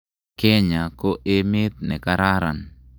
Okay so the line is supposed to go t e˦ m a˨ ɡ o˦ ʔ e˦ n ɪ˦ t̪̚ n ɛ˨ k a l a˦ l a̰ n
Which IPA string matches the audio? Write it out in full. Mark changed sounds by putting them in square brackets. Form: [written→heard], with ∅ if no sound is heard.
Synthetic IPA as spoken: [t→k] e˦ [m→ɲ] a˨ [ɡ→k] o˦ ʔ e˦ [n→m] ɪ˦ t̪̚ n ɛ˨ k a [l→ɾ] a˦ [l→ɾ] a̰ n

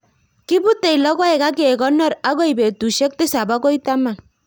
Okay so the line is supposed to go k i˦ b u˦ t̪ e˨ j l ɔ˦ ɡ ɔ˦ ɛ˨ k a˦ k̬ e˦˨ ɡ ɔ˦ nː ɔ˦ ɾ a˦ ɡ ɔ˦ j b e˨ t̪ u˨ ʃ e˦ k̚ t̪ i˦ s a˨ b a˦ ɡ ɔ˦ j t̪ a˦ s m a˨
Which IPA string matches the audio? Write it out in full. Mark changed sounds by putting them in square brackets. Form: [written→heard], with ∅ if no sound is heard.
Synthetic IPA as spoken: k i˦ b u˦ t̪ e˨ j l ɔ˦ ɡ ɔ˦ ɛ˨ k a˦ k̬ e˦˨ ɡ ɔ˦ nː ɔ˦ ɾ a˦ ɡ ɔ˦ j b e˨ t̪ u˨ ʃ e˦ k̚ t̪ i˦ s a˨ b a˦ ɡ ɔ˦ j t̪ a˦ [s→∅] m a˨

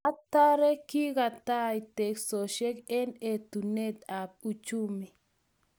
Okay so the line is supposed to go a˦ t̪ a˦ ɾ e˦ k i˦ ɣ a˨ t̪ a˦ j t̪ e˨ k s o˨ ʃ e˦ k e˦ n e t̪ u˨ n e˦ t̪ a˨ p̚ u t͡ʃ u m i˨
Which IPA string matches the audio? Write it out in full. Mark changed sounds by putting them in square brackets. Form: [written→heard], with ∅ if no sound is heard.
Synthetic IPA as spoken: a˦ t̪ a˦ ɾ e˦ k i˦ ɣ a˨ t̪ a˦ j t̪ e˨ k s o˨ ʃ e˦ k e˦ n e t̪ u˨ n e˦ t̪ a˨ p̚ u t͡ʃ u m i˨

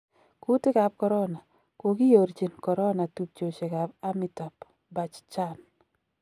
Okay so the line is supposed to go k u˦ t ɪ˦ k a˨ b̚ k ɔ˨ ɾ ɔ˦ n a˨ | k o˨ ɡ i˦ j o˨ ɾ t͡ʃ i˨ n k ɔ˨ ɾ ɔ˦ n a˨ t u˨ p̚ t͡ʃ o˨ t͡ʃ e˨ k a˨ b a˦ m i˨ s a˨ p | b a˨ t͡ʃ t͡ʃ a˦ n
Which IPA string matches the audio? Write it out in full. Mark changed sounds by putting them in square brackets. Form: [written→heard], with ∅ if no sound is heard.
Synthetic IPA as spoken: k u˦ t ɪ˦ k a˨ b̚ k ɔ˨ ɾ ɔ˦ n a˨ | k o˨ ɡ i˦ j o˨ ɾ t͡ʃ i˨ n k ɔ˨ ɾ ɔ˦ n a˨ t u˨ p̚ t͡ʃ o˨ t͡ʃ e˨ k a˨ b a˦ m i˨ [s→t] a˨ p | b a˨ t͡ʃ t͡ʃ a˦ n

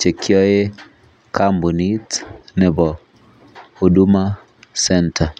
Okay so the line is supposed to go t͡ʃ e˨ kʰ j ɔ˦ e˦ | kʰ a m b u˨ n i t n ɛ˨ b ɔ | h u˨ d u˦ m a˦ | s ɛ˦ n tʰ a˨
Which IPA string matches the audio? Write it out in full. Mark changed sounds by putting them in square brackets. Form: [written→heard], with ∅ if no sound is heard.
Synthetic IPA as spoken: t͡ʃ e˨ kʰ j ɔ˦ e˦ | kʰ a m b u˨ n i t n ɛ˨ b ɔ | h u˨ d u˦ m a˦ | s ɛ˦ n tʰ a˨

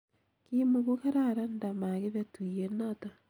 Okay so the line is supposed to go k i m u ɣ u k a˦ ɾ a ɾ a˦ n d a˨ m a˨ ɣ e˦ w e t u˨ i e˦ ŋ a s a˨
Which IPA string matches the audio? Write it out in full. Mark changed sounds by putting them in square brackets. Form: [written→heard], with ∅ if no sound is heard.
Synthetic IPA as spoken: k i m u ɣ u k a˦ ɾ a ɾ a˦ n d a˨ m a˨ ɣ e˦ [w→β] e t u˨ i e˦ [ŋ→n] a [s→t] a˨

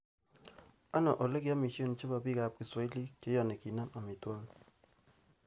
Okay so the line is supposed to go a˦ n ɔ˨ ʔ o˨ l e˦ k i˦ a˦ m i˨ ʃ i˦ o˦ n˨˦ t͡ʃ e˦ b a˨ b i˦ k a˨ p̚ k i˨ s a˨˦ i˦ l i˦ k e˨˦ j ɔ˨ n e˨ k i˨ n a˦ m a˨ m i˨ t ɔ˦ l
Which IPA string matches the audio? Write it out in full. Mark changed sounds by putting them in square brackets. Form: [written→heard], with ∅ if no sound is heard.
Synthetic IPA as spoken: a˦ n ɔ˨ ʔ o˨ l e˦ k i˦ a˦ m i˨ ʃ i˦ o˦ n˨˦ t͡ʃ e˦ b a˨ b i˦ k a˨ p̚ k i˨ s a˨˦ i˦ l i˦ k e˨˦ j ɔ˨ n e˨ k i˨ n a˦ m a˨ m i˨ t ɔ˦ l

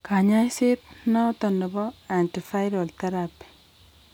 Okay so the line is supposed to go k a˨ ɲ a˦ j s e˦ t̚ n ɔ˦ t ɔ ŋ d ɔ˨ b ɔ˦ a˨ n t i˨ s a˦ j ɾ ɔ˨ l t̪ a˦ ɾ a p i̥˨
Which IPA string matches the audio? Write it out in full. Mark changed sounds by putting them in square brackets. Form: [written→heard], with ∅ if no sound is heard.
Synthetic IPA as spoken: k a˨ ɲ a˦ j s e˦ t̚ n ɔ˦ t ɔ [ŋ→n] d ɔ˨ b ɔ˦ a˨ n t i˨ [s→f] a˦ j ɾ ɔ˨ l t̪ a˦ ɾ a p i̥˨

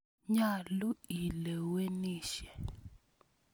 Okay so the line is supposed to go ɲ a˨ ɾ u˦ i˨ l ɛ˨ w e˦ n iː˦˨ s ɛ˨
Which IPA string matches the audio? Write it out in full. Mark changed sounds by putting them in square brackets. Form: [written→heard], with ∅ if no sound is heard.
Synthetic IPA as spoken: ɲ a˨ [ɾ→l] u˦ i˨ l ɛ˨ w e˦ n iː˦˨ [s→ʃ] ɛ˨

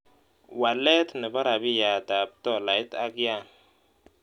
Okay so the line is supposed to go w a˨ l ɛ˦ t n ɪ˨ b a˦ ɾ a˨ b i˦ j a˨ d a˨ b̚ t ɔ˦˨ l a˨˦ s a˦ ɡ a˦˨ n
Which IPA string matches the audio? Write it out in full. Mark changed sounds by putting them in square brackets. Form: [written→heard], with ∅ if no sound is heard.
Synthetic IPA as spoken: w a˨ l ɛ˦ t n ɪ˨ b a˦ ɾ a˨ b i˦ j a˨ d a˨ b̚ t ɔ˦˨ l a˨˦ [s→t] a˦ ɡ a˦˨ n

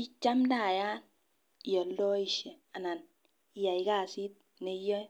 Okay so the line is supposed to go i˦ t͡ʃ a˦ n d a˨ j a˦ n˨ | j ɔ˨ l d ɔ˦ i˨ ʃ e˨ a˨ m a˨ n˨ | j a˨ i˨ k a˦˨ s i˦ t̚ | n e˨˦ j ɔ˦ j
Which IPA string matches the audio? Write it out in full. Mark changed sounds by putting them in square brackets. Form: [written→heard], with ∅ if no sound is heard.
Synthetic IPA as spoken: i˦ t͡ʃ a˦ [n→m] d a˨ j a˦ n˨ | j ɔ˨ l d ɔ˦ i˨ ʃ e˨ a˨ [m→n] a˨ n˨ | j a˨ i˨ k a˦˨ s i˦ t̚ | n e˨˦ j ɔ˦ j

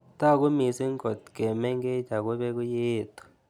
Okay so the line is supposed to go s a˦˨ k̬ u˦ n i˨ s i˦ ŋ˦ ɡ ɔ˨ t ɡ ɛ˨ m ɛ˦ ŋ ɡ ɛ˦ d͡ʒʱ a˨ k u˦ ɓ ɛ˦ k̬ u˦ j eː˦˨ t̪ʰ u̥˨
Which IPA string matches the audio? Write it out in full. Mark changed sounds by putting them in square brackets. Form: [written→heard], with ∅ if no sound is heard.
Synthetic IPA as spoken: [s→t] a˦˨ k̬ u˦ [n→m] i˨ s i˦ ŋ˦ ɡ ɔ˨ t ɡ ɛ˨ m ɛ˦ ŋ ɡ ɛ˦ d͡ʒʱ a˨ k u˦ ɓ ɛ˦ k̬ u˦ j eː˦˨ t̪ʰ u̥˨

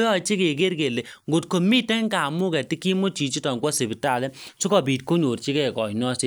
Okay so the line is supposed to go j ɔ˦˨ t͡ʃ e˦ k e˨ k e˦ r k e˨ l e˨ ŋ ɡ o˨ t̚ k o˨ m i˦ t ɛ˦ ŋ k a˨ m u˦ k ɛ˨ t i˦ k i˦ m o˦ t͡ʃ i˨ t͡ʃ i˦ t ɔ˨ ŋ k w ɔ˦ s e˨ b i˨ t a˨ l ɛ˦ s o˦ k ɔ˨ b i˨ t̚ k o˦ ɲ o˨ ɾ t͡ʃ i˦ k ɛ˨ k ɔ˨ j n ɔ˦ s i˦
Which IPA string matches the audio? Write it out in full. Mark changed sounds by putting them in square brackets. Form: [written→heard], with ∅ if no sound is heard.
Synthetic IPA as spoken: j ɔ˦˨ t͡ʃ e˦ k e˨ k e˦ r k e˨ l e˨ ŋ ɡ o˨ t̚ k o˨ m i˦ t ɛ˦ ŋ k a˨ m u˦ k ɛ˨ t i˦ k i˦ m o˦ t͡ʃ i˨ t͡ʃ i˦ t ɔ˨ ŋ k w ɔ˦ s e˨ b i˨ t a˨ l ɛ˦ s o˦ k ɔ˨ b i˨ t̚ k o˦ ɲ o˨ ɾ t͡ʃ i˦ k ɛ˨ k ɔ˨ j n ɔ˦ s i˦

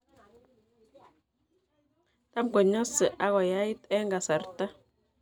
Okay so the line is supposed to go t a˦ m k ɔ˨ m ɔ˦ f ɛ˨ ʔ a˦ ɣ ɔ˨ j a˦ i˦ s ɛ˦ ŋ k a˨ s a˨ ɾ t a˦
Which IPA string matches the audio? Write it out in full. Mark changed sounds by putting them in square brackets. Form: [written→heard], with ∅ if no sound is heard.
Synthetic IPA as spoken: t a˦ m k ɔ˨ [m→ɲ] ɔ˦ [f→s] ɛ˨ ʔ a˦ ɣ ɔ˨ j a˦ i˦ [s→t] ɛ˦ ŋ [k→ɡ] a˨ s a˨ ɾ t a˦

